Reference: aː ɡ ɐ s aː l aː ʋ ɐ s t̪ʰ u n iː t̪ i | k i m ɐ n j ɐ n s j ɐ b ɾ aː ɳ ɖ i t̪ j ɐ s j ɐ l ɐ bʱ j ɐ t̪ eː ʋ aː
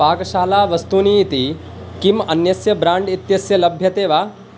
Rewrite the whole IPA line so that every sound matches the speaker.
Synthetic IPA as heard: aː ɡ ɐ ʃ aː l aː ʋ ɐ s t̪ u n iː t̪ i | k i m ɐ n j ɐ s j ɐ b ɾ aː ɳ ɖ i t̪ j ɐ s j ɐ l ɐ bʱ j ɐ t̪ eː ʋ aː